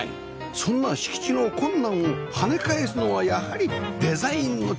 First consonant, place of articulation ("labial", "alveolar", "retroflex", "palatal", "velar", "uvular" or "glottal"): alveolar